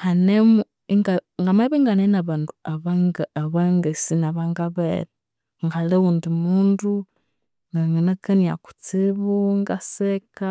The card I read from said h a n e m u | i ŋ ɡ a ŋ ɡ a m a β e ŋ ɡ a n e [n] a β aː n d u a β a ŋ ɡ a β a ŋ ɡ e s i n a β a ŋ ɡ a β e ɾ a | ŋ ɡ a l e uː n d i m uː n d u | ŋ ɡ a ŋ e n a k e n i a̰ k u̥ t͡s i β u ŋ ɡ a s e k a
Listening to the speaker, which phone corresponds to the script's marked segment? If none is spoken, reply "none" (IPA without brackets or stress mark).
n